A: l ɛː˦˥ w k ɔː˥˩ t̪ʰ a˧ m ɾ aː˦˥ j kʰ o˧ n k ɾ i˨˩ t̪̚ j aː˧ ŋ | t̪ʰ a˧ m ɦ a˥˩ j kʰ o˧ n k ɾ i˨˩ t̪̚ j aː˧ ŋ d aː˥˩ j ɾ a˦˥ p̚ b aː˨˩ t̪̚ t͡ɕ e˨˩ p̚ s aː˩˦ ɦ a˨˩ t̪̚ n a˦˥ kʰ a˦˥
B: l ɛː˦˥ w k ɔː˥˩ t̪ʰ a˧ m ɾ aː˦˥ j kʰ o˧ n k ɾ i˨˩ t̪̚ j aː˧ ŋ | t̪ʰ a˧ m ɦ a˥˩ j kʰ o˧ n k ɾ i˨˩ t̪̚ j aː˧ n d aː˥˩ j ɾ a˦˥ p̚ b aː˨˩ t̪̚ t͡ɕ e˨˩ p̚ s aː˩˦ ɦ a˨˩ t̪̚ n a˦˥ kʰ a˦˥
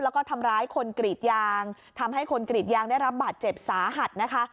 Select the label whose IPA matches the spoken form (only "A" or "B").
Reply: A